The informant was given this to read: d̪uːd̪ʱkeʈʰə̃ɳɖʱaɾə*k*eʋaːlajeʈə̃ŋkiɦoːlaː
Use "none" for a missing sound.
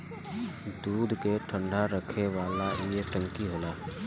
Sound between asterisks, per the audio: kʰ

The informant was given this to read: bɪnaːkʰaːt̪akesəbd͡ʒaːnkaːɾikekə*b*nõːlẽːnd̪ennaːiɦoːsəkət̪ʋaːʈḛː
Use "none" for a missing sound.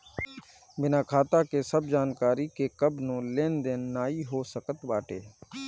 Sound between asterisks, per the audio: b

